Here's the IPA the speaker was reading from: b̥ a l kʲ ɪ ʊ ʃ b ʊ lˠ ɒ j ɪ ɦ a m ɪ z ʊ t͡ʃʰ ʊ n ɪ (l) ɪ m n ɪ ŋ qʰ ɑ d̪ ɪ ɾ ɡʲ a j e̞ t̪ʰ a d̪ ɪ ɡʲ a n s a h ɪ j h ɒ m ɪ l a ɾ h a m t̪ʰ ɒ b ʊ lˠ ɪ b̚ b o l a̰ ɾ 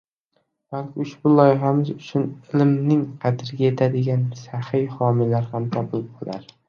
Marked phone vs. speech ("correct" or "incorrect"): correct